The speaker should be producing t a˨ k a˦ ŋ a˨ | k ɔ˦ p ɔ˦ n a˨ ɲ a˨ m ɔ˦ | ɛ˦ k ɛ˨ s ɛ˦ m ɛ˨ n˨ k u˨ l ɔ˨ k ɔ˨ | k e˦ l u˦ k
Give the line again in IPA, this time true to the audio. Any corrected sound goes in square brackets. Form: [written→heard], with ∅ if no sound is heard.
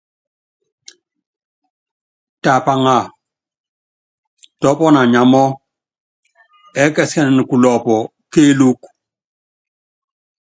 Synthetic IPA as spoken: t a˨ [k→p] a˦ ŋ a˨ | [k→t] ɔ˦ p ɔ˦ n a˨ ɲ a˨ m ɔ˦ | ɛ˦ k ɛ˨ s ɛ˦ [m→n] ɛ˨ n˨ k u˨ l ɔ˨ [k→p] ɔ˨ | k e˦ l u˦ k